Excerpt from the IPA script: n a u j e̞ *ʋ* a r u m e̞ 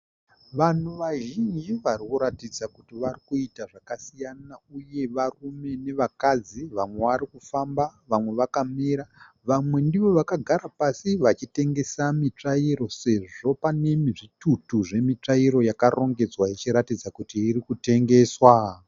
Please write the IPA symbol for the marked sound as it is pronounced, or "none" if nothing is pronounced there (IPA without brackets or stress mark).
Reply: ʋ